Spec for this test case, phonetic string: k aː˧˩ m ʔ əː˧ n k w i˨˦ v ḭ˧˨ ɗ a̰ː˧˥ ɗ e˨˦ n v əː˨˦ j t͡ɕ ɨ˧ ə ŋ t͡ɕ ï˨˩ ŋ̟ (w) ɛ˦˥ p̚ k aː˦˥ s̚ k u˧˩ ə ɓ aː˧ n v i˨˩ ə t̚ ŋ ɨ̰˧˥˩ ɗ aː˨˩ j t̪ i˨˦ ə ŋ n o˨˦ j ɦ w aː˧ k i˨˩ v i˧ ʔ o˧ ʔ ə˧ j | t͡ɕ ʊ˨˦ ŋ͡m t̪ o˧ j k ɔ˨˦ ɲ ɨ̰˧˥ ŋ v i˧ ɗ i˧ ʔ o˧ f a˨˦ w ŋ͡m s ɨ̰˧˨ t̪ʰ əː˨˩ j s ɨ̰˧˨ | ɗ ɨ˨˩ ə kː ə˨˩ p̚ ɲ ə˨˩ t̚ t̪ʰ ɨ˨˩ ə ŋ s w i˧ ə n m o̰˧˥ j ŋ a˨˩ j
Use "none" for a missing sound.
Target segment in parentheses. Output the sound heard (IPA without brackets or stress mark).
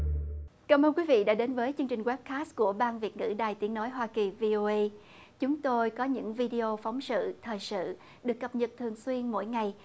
w